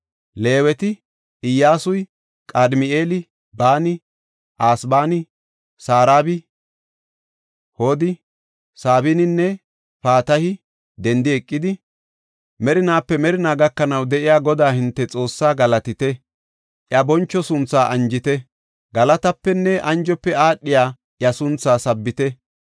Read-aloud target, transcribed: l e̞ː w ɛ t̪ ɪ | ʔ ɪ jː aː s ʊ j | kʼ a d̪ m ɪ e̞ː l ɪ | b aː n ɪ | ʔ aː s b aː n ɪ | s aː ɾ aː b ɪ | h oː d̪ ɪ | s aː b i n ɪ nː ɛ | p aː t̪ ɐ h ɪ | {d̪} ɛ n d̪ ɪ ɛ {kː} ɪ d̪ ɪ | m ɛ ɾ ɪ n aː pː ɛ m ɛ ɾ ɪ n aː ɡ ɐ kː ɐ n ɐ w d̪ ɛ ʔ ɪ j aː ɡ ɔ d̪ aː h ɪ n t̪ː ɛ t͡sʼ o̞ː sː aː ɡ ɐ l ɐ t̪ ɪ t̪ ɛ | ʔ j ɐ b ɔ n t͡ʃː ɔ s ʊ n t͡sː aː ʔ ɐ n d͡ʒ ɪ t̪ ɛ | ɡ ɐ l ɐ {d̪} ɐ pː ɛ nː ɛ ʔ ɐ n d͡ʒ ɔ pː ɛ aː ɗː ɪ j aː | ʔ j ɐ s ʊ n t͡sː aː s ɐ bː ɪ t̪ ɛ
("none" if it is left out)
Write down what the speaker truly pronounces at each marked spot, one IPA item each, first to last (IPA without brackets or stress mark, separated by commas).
d̪, kʼː, t̪